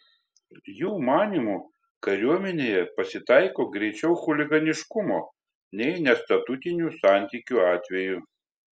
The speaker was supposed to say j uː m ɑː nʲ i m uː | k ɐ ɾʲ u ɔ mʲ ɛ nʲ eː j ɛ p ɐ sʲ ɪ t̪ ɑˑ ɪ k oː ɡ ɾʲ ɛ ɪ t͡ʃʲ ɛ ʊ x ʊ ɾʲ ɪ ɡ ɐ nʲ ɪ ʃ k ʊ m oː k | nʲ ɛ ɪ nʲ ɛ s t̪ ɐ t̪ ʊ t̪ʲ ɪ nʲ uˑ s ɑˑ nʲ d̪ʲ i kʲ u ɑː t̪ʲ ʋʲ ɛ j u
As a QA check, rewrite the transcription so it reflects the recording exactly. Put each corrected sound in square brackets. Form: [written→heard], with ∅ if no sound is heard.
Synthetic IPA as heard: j uː m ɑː nʲ i m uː | k ɐ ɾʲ u ɔ mʲ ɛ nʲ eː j ɛ p ɐ sʲ ɪ t̪ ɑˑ ɪ k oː ɡ ɾʲ ɛ ɪ t͡ʃʲ ɛ ʊ x ʊ [ɾʲ→lʲ] ɪ ɡ ɐ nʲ ɪ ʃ k ʊ m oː [k→∅] | nʲ ɛ ɪ nʲ ɛ s t̪ ɐ t̪ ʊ t̪ʲ ɪ nʲ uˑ s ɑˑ nʲ [d̪ʲ→t̪ʲ] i kʲ u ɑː t̪ʲ ʋʲ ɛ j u